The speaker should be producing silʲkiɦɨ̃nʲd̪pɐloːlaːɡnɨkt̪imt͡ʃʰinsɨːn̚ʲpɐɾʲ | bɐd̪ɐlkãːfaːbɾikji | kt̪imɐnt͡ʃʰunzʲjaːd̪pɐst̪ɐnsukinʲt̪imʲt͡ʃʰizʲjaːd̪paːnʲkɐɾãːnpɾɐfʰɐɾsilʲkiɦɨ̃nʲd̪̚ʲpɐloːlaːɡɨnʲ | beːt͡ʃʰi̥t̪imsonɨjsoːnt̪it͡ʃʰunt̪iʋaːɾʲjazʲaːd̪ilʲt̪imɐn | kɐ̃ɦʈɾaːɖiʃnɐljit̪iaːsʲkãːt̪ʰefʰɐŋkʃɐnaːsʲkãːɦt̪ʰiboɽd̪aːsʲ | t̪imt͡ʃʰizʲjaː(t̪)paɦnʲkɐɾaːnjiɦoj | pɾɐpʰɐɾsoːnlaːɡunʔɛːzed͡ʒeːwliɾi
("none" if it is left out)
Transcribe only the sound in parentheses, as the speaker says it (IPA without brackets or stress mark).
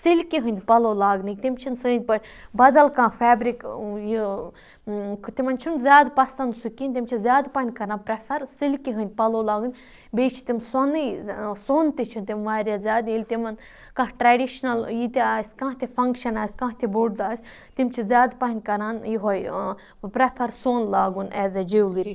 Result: d̪